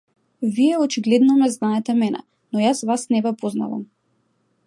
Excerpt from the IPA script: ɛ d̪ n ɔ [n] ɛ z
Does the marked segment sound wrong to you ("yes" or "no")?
yes